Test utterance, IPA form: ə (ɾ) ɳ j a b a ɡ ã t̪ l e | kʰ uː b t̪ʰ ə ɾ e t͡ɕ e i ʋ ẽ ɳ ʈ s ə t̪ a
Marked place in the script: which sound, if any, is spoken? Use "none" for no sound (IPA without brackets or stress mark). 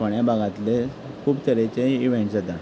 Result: none